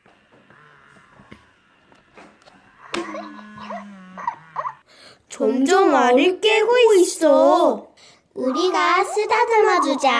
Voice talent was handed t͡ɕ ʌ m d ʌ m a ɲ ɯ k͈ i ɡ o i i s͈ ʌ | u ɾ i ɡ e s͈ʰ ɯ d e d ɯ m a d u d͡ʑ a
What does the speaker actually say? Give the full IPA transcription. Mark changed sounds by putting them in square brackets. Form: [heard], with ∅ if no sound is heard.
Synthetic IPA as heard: t͡ɕ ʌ m [d͡ʑ] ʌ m a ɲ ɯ k͈ [e] ɡ o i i s͈ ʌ | u ɾ i ɡ [a] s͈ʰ ɯ d [a] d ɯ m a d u d͡ʑ a